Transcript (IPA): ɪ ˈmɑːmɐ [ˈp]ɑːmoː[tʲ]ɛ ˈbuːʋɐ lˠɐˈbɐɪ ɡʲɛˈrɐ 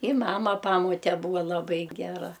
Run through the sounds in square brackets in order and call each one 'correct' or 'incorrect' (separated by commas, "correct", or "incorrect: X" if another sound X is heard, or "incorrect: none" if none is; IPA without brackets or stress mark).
correct, correct